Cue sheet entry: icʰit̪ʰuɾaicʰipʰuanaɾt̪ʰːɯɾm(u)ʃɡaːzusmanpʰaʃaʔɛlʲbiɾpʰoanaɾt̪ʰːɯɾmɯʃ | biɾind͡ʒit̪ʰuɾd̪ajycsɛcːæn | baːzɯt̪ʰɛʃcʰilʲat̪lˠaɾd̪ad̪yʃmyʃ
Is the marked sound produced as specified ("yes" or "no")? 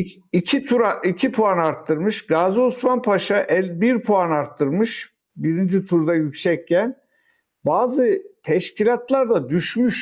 no